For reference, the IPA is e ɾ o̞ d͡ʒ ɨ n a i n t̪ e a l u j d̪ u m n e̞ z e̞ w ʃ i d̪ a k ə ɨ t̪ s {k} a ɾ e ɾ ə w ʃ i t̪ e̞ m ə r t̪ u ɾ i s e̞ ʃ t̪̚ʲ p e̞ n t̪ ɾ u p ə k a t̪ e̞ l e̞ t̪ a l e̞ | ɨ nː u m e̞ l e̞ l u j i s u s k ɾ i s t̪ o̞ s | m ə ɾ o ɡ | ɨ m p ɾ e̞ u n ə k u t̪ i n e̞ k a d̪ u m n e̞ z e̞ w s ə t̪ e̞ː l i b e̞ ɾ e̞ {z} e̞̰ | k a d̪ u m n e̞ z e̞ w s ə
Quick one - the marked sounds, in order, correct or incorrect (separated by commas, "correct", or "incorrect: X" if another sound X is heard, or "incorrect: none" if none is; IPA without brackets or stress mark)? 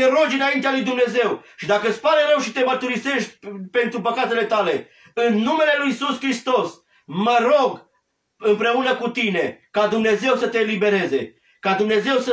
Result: incorrect: p, correct